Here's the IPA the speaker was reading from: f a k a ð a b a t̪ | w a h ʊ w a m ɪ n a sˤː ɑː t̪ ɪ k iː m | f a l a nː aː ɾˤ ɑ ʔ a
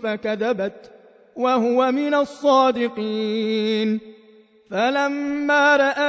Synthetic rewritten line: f a k a ð a b a t̪ | w a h ʊ w a m ɪ n a sˤː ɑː d̪ ɪ q iː n | f a l a mː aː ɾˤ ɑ ʔ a